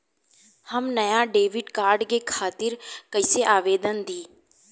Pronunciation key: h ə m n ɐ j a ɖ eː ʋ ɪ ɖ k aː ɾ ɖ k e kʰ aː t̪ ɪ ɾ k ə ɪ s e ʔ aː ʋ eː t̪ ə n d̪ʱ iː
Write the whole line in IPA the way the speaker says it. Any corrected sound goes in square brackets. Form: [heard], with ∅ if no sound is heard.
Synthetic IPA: h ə m n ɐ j a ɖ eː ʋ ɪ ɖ k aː ɾ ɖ k e kʰ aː t̪ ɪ ɾ k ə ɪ s e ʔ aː ʋ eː [d̪] ə n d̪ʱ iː